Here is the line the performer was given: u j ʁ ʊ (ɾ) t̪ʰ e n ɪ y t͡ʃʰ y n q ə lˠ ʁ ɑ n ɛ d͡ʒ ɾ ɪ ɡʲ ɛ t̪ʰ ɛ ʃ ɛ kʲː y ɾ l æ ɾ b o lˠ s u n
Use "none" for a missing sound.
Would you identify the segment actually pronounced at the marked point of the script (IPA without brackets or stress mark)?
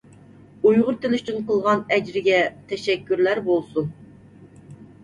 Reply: ɾ